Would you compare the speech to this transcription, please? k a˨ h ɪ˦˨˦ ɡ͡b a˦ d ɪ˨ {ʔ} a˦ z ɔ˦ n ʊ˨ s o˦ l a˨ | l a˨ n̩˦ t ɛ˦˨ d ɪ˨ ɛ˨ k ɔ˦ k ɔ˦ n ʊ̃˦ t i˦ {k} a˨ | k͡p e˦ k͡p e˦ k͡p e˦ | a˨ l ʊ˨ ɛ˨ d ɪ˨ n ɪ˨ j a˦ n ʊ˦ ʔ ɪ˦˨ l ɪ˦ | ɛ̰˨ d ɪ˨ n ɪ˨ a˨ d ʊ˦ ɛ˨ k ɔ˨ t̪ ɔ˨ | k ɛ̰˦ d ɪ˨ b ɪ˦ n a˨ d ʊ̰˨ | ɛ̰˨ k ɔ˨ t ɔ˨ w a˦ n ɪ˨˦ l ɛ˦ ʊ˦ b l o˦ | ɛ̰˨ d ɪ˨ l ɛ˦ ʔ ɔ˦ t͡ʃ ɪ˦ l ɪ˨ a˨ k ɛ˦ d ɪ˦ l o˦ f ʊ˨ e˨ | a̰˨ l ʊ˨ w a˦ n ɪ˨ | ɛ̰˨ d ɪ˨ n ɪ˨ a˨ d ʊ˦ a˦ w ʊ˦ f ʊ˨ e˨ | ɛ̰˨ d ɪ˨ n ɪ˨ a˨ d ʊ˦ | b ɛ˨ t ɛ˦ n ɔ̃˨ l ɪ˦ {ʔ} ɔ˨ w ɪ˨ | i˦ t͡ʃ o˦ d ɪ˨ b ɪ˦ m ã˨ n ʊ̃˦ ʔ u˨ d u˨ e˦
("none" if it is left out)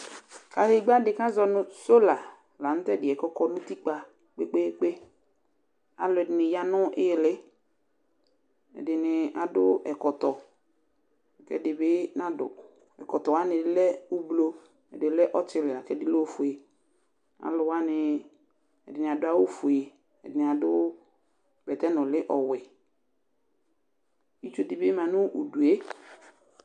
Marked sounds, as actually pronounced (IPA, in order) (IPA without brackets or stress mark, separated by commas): k, k͡p, ʔ